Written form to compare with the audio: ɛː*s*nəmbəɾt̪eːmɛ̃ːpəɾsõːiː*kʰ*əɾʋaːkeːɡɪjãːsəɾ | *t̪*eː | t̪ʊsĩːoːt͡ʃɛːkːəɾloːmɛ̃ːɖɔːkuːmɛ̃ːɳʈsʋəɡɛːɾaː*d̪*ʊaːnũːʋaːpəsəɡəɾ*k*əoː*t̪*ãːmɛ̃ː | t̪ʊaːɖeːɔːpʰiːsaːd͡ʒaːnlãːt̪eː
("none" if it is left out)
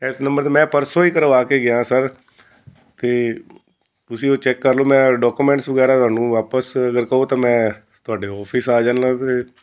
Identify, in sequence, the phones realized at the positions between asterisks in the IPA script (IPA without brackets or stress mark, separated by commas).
s, k, t̪, t̪, k, t̪